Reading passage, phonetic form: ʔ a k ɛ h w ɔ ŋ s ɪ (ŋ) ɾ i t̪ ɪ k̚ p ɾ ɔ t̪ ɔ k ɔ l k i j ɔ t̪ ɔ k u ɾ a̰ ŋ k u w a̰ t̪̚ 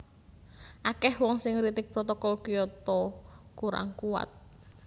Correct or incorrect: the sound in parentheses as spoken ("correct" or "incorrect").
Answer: correct